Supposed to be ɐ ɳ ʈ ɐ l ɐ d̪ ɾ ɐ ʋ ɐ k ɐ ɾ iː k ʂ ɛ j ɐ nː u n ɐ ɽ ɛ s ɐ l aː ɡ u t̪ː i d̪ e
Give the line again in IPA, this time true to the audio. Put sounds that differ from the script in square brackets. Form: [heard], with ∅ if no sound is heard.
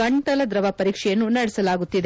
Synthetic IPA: ɐ ɳ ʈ ɐ l ɐ d̪ ɾ ɐ ʋ ɐ [p] ɐ ɾ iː k ʂ ɛ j ɐ nː u n ɐ ɽ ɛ s ɐ l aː ɡ u t̪ː i d̪ e

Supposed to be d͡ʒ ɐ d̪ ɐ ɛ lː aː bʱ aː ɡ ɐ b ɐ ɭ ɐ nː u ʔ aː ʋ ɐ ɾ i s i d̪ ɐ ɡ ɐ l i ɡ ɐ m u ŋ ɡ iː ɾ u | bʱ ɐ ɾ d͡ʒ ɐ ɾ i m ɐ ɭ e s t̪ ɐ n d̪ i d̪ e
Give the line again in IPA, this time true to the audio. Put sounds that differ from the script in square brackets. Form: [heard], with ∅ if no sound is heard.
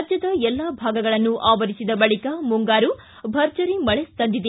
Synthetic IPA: d͡ʒ ɐ d̪ ɐ ɛ lː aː bʱ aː ɡ ɐ [ɡ] ɐ ɭ ɐ nː u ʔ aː ʋ ɐ ɾ i s i d̪ ɐ [b] ɐ [ɭ] i [k] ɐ m u ŋ ɡ [aː] ɾ u | bʱ ɐ ɾ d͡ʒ ɐ ɾ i m ɐ ɭ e s t̪ ɐ n d̪ i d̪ e

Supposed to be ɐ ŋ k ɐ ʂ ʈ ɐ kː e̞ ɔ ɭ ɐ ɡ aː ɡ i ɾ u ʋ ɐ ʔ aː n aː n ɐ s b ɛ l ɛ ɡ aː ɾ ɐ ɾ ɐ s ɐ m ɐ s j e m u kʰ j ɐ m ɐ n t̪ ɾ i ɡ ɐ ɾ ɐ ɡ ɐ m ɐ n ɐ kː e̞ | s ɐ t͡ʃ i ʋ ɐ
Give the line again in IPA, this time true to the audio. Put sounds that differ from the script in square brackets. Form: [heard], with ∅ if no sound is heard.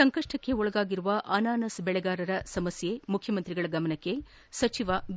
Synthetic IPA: ɐ ŋ k ɐ ʂ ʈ ɐ kː e̞ ɔ ɭ ɐ ɡ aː ɡ i ɾ u ʋ ɐ ʔ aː n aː n ɐ s b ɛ [ɭ] ɛ ɡ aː ɾ ɐ ɾ ɐ s ɐ m ɐ s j e m u kʰ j ɐ m ɐ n t̪ ɾ i ɡ ɐ [ɭ] ɐ ɡ ɐ m ɐ n ɐ kː e̞ | s ɐ t͡ʃ i ʋ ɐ

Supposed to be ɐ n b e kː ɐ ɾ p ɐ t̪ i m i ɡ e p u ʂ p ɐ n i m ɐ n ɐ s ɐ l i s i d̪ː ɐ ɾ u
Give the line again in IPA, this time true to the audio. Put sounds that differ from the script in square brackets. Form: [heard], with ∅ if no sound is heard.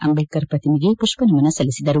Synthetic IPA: ɐ [m] b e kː ɐ ɾ p ɐ t̪ i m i ɡ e p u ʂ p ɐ n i m ɐ n ɐ s ɐ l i s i [d̪] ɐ ɾ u

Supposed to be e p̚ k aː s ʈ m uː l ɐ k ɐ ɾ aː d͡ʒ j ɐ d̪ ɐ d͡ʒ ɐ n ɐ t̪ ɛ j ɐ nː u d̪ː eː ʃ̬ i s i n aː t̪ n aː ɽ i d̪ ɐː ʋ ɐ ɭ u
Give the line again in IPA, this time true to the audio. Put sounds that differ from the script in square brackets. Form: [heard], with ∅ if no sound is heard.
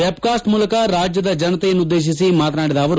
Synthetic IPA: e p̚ k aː s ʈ m uː l ɐ k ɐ ɾ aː d͡ʒ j ɐ d̪ ɐ d͡ʒ ɐ n ɐ t̪ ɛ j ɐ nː u d̪ː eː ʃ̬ i s i [m] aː t̪ n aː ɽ i d̪ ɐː ʋ ɐ [ɾ] u

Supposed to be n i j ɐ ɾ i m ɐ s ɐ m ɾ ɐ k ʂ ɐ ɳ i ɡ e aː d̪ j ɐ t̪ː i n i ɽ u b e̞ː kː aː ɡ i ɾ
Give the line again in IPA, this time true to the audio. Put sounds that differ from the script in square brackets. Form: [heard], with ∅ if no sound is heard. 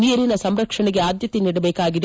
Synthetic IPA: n i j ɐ ɾ i [n] ɐ s ɐ m ɾ ɐ k ʂ ɐ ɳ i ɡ e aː d̪ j ɐ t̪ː i n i ɽ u b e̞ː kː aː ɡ i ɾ

